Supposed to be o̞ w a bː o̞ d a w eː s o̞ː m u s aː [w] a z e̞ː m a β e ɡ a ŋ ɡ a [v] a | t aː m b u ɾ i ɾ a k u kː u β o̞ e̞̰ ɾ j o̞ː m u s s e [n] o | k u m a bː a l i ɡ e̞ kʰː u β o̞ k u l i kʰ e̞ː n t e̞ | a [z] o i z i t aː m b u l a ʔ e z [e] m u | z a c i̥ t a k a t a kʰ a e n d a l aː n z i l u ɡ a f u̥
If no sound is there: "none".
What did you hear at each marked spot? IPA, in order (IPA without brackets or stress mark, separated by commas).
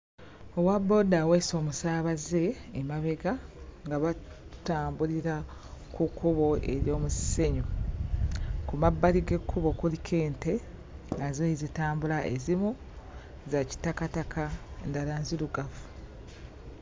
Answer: β, β, ɲ, z, i